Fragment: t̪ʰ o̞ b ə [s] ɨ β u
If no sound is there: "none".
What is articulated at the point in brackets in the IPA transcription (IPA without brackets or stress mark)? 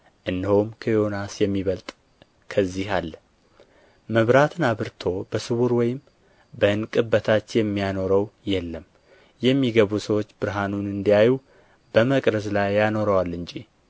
s